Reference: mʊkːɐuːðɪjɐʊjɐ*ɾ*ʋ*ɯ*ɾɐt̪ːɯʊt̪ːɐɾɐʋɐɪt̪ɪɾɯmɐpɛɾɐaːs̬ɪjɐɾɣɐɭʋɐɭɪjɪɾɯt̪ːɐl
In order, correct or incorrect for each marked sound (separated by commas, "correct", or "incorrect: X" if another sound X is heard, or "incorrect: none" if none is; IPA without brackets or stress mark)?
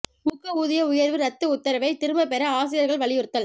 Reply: correct, correct